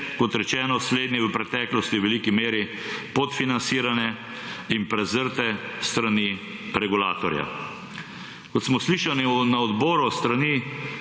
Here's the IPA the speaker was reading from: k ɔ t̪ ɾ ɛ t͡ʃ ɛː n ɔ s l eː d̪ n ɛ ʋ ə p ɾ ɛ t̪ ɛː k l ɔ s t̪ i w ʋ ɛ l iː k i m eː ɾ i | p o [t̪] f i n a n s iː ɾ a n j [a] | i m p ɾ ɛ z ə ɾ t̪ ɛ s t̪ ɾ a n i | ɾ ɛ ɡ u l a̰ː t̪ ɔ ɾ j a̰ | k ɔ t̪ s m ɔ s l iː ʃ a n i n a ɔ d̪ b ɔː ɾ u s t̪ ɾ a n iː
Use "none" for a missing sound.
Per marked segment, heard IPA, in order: t̪, ɛ

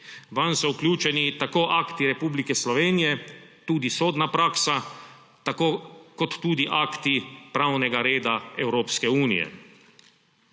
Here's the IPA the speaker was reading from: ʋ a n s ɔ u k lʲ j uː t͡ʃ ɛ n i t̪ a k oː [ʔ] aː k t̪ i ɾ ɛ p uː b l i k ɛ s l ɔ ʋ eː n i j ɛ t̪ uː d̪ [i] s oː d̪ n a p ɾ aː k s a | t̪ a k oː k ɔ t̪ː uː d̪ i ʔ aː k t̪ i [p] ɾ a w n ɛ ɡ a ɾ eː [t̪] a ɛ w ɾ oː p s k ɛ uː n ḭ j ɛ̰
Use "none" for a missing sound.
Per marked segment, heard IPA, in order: ʔ, i, p, d̪

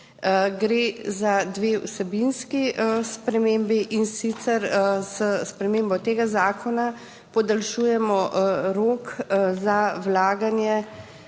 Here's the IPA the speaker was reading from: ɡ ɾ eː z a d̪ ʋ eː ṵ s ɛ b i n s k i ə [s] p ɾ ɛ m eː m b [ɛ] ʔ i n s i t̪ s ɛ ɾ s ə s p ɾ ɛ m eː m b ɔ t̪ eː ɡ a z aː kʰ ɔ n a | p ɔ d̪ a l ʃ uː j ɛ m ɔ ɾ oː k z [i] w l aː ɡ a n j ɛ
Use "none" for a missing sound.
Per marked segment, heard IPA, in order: s, i, a

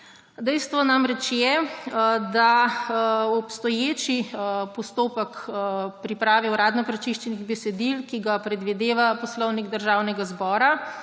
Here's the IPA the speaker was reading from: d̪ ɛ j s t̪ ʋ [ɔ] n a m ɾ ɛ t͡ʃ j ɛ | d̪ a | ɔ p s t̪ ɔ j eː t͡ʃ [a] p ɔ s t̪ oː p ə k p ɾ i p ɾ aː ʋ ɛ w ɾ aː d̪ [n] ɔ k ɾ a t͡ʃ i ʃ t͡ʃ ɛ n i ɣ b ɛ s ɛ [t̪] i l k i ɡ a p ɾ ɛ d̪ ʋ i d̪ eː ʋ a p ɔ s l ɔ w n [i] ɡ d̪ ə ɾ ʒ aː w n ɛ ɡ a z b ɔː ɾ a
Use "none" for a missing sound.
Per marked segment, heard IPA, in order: ɔ, i, n, d̪, i

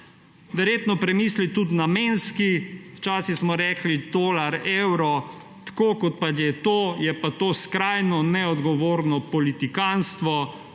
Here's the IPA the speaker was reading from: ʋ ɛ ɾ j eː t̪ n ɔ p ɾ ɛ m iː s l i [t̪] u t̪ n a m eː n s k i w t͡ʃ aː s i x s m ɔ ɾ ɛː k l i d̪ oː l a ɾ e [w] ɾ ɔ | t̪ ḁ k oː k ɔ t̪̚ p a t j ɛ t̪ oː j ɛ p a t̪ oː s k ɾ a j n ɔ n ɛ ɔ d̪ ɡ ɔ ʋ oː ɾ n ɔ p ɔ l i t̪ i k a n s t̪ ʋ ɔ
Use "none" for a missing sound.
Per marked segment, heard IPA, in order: t̪, w

